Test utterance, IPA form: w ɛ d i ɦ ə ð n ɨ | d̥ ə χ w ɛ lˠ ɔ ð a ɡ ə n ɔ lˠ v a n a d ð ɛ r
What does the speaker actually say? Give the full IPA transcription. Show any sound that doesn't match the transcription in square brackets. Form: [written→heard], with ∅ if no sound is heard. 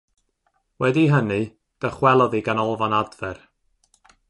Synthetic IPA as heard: w ɛ d i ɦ ə [ð→∅] n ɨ | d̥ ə χ w ɛ lˠ ɔ ð [a→i] ɡ [ə→a] n ɔ lˠ v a n a d [ð→v] ɛ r